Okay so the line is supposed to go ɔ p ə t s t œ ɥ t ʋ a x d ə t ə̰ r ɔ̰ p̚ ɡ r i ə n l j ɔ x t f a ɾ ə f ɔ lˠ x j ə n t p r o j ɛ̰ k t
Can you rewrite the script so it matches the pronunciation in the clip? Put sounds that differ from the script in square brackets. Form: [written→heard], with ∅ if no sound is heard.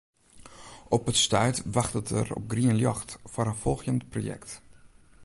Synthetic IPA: ɔ p ə t s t œ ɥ t ʋ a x [d→t] ə t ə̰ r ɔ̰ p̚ ɡ r i ə n l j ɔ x t f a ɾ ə f ɔ lˠ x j ə n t p r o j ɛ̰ k t